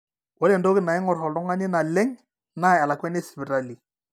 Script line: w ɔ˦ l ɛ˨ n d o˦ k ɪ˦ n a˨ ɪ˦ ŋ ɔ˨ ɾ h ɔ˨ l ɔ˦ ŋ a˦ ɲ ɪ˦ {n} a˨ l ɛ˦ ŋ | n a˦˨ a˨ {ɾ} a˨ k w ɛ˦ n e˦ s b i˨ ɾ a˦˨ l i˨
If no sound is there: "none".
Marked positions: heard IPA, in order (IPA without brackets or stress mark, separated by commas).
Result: n, l